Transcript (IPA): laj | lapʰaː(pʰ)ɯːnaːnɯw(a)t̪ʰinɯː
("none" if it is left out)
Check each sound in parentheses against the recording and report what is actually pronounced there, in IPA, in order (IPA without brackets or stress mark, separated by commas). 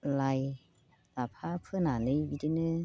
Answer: pʰ, i